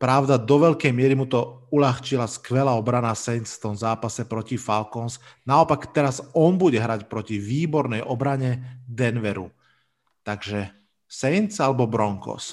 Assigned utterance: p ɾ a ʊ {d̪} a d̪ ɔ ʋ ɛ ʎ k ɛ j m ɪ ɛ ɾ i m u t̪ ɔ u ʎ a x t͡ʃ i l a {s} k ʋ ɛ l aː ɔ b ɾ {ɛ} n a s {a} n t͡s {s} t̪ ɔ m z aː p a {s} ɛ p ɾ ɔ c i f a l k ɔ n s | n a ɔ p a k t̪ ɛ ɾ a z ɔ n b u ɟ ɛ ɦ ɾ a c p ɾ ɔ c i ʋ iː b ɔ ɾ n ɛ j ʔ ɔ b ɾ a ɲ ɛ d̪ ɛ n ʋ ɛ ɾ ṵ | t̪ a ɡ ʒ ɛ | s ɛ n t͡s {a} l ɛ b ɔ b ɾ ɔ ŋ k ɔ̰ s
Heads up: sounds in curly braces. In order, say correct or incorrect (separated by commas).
correct, correct, incorrect, incorrect, incorrect, correct, correct